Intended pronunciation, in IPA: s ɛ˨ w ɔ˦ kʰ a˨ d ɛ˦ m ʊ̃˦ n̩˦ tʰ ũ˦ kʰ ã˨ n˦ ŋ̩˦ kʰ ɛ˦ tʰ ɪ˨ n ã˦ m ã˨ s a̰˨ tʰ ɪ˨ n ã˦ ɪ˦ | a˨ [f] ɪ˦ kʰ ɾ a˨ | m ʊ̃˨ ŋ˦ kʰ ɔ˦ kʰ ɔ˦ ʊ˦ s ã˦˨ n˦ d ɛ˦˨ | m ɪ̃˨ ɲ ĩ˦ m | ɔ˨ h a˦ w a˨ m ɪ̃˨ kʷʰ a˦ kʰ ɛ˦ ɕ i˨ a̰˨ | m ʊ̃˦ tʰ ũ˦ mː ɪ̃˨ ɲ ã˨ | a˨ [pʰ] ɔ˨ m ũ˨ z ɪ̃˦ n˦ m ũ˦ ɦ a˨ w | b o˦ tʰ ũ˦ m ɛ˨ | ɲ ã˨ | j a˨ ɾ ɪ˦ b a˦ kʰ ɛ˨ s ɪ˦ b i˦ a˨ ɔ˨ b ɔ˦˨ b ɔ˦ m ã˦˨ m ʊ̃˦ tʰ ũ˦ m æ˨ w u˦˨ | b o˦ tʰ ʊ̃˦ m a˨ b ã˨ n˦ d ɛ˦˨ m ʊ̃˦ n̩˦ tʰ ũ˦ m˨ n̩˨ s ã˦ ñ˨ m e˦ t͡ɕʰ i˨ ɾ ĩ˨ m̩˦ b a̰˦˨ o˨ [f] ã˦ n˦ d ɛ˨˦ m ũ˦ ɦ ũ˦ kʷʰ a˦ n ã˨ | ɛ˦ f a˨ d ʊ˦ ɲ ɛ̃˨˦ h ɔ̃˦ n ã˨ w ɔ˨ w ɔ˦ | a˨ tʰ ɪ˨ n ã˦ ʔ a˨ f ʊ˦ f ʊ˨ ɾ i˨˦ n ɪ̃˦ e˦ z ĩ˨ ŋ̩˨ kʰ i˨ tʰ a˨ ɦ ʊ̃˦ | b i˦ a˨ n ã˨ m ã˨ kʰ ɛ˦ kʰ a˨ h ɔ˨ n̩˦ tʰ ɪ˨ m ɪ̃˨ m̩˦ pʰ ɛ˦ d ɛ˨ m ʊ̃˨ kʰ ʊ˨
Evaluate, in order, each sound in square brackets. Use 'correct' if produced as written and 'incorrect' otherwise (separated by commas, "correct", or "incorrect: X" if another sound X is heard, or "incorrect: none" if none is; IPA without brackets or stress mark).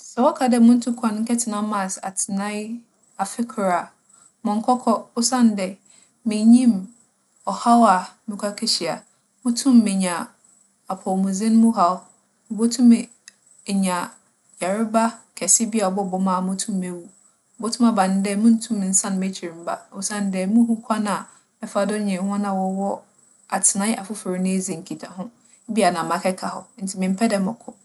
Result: correct, correct, incorrect: s